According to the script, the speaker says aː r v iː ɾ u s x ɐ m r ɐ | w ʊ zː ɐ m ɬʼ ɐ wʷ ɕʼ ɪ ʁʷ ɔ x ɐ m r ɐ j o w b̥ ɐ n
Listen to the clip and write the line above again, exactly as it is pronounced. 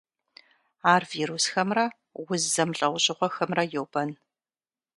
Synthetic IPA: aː r v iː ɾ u s x ɐ m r ɐ | w ʊ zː ɐ m ɬʼ ɐ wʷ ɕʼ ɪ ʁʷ ɔ x ɐ m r ɐ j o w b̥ ɐ n

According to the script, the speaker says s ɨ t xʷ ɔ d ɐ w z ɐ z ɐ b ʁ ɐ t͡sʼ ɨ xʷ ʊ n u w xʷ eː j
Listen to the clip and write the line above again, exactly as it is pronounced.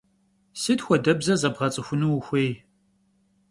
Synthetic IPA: s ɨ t xʷ ɔ d ɐ b z ɐ z ɐ b ʁ ɐ t͡sʼ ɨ xʷ ʊ n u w xʷ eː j

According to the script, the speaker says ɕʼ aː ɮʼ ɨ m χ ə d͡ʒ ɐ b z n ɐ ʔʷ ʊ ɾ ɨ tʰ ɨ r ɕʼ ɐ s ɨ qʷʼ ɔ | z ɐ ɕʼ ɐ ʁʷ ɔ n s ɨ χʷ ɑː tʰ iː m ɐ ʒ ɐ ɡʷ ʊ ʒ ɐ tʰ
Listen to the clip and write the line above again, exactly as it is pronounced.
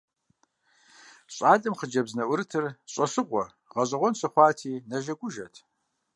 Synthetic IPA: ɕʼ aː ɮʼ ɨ m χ ə d͡ʒ ɐ b z n ɐ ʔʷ ʊ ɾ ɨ tʰ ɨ r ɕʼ ɐ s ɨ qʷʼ ɔ | ʁ ɐ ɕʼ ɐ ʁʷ ɔ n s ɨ χʷ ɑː tʰ iː n ɐ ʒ ɐ ɡʷ ʊ ʒ ɐ tʰ

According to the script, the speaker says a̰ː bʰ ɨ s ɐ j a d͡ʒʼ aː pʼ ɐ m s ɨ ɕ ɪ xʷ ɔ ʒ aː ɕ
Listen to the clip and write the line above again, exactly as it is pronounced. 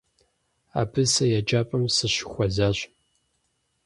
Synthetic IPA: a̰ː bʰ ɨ s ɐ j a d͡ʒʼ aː pʼ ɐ m s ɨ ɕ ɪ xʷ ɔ z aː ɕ

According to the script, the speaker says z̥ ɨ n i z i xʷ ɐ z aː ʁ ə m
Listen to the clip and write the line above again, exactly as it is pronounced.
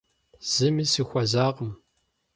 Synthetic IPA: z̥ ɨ m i s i xʷ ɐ z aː ʁ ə m

